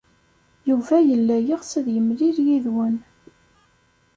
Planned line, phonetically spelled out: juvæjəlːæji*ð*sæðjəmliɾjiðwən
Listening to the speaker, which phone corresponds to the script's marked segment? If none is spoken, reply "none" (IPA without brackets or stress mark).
ʁ